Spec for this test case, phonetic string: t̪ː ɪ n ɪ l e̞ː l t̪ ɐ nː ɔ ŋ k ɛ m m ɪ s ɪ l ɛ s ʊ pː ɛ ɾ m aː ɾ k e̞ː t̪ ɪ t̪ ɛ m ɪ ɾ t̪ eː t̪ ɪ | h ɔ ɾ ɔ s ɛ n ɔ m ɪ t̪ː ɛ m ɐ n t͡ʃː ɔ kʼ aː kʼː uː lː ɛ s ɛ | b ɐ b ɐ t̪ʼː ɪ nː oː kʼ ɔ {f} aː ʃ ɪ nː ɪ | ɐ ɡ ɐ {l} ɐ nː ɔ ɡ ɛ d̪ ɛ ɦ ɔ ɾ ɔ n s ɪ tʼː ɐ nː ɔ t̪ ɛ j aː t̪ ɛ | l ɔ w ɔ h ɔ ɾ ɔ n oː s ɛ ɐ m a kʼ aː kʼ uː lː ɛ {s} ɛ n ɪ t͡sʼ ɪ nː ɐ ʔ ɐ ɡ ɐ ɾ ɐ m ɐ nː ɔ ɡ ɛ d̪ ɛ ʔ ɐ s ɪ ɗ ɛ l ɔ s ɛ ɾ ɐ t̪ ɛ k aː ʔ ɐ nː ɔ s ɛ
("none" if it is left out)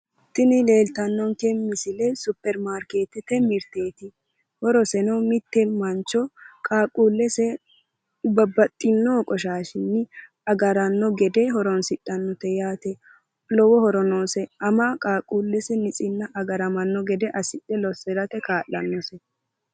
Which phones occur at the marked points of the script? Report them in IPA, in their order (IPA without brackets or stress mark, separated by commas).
ʃ, ɾ, s